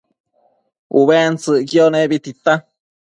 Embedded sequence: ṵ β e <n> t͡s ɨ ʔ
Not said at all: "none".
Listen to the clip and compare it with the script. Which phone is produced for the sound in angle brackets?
n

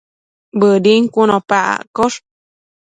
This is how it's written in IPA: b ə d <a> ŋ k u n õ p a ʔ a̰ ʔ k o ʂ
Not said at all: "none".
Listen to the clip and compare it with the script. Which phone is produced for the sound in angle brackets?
i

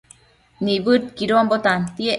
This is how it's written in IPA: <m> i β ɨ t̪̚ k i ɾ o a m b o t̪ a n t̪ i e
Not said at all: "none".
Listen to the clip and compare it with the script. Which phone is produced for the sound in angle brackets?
n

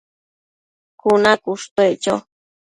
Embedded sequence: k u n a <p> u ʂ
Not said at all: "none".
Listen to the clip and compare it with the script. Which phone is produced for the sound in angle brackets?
k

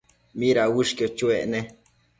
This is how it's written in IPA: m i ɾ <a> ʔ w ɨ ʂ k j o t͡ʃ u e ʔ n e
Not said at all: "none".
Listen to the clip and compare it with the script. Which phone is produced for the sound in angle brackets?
a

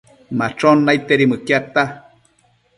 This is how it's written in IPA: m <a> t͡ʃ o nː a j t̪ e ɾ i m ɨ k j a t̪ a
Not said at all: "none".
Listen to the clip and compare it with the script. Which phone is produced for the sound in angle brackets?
a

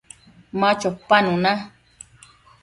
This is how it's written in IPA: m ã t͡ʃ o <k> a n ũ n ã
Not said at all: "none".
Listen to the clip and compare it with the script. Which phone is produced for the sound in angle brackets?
p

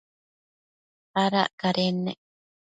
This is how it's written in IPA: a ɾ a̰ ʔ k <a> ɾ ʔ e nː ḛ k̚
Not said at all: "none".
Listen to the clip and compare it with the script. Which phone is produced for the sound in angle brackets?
a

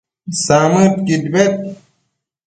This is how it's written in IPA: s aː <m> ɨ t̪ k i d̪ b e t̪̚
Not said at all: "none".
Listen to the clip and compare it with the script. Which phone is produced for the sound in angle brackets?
m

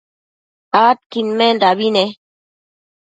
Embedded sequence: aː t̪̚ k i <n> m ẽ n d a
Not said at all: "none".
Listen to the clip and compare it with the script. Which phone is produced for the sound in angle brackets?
n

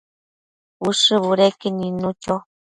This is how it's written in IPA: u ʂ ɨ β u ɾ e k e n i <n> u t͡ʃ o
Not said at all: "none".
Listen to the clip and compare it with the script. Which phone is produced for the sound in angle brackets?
n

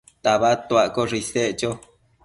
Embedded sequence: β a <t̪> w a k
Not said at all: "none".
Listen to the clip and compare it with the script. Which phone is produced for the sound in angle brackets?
t̪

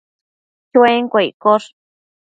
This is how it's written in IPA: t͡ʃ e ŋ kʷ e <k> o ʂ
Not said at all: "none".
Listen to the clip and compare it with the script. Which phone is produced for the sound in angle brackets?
k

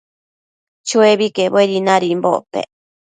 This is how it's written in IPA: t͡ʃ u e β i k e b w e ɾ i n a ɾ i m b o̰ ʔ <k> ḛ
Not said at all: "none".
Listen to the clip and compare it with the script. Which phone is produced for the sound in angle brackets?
p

